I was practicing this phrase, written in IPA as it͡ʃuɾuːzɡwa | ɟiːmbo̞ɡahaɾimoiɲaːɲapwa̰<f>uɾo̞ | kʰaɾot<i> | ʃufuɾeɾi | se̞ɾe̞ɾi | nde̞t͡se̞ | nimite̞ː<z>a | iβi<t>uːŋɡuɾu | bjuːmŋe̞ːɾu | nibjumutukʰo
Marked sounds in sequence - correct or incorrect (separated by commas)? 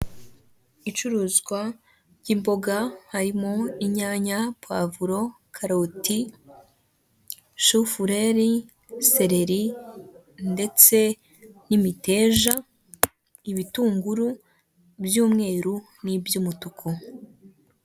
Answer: incorrect, correct, incorrect, correct